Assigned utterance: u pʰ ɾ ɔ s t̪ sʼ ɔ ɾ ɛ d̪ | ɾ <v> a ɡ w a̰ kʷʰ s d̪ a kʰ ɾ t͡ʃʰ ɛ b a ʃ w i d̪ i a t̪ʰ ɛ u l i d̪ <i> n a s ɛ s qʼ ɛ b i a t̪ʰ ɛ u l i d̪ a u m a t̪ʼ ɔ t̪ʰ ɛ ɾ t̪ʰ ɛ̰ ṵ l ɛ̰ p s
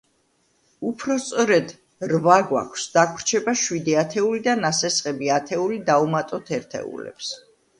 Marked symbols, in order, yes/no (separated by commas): yes, no